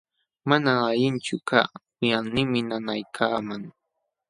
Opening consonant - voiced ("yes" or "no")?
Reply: yes